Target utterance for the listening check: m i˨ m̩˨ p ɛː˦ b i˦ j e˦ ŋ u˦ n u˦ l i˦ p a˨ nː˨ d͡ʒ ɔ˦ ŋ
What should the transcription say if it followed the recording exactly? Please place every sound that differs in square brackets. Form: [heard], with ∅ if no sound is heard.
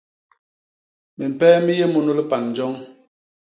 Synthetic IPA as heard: m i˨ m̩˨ p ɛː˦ [m] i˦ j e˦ [m] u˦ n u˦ l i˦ p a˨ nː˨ d͡ʒ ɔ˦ ŋ